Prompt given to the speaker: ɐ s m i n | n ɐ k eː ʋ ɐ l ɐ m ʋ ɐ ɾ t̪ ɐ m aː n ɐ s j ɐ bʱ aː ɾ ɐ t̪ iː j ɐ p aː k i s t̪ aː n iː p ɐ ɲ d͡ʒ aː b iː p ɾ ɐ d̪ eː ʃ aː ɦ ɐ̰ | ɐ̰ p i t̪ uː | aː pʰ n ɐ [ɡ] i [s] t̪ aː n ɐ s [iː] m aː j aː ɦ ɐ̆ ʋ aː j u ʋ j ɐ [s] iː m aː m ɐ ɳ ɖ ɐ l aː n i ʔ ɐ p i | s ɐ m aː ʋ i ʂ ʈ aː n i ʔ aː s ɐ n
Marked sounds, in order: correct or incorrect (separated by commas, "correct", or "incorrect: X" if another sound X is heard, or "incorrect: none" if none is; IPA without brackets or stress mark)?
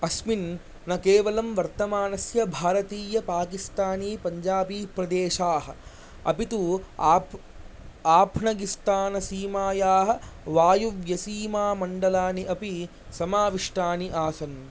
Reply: correct, correct, correct, correct